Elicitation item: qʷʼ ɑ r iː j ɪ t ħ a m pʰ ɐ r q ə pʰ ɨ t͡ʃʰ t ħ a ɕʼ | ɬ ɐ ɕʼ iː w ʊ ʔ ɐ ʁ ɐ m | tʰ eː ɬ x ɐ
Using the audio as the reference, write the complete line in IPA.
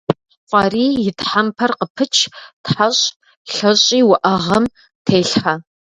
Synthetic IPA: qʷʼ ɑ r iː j ɪ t ħ a m pʰ ɐ r q ə pʰ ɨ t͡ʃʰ t ħ a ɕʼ | ɬ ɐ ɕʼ iː w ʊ ʔ ɐ ʁ ɐ m | tʰ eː ɬ ħ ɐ